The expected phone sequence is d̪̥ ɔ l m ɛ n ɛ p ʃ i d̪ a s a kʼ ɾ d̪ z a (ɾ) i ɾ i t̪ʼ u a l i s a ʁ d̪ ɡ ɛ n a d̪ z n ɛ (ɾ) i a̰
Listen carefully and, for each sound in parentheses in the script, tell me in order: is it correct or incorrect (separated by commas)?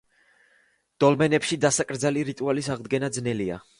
incorrect, incorrect